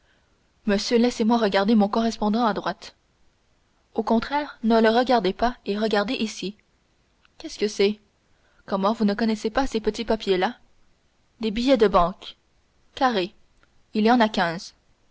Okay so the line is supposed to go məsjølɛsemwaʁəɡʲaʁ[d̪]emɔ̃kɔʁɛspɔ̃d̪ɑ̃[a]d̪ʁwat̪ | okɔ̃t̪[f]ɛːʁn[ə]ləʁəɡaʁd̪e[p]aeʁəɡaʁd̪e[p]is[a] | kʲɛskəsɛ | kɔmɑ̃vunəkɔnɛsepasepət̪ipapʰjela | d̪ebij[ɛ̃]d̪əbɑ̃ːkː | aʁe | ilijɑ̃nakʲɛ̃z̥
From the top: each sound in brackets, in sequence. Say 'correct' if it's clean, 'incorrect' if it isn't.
correct, correct, incorrect: χ, correct, correct, incorrect: ʔ, incorrect: i, incorrect: ɛ

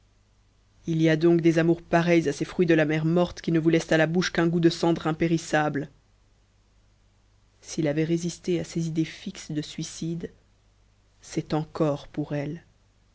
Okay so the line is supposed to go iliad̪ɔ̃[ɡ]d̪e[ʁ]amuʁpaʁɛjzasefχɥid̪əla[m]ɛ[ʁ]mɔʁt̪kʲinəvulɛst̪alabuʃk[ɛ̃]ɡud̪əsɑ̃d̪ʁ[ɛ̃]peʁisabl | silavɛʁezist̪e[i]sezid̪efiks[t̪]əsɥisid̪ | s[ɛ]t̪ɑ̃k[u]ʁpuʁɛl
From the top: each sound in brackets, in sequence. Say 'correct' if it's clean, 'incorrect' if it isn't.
incorrect: k, incorrect: z, correct, correct, correct, correct, incorrect: a, incorrect: d̪, correct, incorrect: ɔ

